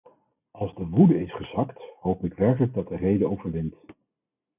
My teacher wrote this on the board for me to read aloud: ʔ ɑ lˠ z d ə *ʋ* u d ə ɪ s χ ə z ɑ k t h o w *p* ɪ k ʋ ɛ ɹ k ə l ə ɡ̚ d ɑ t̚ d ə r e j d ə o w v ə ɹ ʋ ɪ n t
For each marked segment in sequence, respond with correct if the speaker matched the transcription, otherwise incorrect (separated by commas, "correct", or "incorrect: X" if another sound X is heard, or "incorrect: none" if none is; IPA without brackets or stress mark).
correct, correct